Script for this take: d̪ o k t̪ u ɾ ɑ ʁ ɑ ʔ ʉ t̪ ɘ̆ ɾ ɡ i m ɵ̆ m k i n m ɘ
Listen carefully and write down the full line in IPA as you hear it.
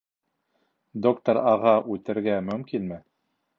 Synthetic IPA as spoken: d̪ o k t̪ o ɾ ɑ ʁ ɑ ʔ ʉ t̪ ɘ̆ ɾ ɡ æ m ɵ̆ m k i n m ɘ